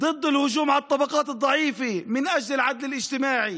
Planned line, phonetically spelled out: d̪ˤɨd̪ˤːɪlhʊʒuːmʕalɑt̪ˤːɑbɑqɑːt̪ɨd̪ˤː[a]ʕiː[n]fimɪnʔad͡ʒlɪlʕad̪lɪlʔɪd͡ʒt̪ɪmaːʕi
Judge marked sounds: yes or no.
no, no

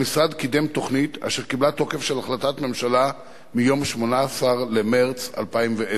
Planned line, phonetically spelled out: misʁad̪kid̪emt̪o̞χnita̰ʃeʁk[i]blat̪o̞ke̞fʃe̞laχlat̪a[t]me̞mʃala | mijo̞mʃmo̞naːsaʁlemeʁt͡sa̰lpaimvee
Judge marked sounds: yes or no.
yes, yes

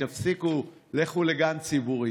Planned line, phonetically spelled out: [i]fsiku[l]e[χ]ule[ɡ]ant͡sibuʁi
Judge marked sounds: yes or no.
no, yes, yes, yes

